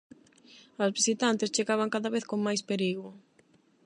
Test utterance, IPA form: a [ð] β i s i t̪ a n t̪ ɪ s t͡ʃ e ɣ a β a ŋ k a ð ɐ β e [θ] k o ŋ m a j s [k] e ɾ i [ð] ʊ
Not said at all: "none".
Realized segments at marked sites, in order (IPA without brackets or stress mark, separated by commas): z, θ, p, ɣ